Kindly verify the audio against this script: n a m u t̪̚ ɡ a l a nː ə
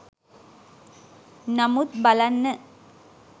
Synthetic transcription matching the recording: n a m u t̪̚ b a l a nː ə

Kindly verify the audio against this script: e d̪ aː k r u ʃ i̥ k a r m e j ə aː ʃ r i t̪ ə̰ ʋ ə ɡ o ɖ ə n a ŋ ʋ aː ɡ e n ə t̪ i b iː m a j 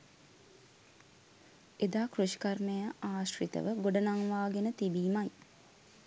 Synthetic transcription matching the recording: e d̪ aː k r u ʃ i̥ k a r m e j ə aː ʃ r i t̪ ə̰ ʋ ə ɡ o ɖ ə n a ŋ ʋ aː ɡ e n ə t̪ i b iː m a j

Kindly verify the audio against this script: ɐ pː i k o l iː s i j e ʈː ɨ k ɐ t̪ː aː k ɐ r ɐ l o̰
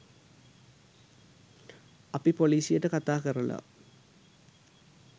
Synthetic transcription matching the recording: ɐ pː i p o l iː s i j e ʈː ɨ k ɐ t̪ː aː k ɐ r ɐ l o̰

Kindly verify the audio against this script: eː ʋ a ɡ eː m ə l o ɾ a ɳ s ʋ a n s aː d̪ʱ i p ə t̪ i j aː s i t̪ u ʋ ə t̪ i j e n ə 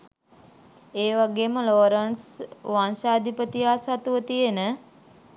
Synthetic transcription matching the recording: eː ʋ a ɡ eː m ə l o ɾ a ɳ s ʋ a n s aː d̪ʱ i p ə t̪ i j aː s a t̪ u ʋ ə t̪ i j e n ə

